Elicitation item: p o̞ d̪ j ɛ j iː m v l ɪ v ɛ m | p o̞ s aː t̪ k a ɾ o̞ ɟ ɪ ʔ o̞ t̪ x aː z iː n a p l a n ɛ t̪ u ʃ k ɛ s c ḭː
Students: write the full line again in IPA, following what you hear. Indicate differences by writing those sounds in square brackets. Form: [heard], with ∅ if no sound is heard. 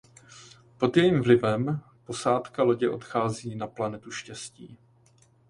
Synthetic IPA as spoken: p o̞ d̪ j ɛ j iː m v l ɪ v ɛ m | p o̞ s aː t̪ k a [l] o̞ ɟ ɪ ʔ o̞ t̪ x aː z iː n a p l a n ɛ t̪ u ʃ [c] ɛ s c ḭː